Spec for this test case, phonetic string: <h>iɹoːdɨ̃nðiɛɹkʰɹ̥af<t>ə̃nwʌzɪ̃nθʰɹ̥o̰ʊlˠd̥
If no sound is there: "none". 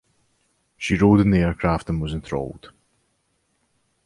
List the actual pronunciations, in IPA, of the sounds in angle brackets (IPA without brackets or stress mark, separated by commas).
ʃ, t